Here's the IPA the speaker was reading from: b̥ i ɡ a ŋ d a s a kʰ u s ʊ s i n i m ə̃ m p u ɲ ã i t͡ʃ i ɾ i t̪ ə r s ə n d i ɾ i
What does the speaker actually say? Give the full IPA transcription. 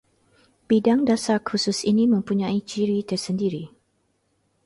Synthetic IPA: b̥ i d a ŋ d a s a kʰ u s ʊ s i n i m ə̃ m p u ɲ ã i t͡ʃ i ɾ i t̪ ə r s ə n d i ɾ i